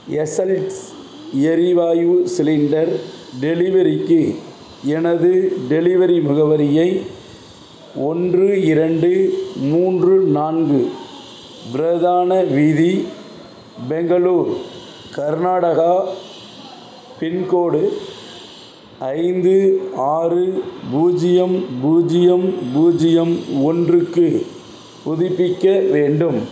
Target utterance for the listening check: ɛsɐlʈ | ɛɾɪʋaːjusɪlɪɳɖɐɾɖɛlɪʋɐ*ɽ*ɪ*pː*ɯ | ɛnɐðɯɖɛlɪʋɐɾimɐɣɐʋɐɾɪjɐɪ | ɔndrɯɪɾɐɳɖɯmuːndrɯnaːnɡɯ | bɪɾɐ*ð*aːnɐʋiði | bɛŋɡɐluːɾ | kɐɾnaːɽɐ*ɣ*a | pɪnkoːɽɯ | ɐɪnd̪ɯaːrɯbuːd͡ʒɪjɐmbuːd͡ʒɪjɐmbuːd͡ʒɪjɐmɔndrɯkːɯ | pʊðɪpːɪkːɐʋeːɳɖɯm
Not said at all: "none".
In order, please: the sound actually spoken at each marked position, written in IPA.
ɾ, kː, ð, ɣ

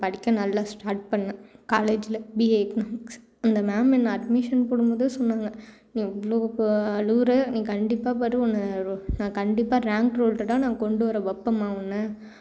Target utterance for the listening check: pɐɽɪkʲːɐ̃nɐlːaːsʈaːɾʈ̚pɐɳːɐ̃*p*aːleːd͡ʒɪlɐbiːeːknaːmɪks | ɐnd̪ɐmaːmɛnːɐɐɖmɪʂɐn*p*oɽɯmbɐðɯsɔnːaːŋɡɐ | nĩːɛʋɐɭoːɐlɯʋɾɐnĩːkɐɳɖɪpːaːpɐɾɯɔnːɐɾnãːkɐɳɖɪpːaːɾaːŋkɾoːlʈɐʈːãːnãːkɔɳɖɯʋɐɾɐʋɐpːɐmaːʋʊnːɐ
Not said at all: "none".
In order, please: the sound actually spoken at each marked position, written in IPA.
k, p

